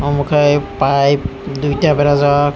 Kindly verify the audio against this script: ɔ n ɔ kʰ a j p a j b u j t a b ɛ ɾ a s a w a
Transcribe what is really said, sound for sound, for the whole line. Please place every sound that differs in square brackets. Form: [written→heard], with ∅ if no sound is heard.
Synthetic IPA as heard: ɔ [n→m] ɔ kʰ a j p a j [b→d] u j t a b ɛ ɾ a [s→z] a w a